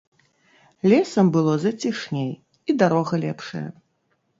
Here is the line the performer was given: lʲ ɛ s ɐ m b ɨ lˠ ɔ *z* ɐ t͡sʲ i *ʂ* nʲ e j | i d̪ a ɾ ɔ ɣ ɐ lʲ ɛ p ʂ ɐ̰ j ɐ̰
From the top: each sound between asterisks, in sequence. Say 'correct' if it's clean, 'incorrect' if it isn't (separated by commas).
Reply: correct, correct